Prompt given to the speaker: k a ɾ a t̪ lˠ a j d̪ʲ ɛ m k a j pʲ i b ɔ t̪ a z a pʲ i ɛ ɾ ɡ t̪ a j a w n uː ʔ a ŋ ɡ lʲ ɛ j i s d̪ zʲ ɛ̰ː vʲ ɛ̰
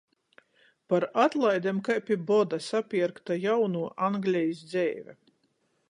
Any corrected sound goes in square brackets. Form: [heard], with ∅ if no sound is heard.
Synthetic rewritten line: [p] a ɾ a t̪ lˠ a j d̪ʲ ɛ m k a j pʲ i b ɔ [d̪] a [s] a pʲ i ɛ ɾ [k] t̪ a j a w n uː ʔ a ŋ ɡ lʲ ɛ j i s d̪ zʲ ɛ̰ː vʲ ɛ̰